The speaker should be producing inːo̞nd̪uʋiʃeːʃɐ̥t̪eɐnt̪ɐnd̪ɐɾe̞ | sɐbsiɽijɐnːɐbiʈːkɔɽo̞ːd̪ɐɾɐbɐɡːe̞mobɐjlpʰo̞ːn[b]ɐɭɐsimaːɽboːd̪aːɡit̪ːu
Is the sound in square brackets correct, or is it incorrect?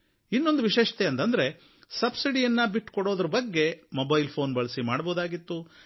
correct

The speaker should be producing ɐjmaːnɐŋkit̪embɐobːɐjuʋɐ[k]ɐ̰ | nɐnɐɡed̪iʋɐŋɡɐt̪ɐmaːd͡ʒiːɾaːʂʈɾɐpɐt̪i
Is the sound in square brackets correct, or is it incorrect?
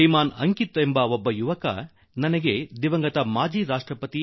correct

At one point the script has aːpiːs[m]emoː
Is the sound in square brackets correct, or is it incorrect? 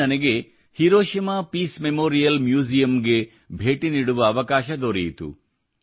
correct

